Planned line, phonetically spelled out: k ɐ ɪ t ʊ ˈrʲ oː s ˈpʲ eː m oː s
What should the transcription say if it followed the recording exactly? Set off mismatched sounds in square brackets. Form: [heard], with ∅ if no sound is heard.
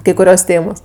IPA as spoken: k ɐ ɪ [k] ʊ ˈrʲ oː s [ˈtʲ] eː m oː s